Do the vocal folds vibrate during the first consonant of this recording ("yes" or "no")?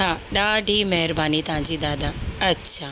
yes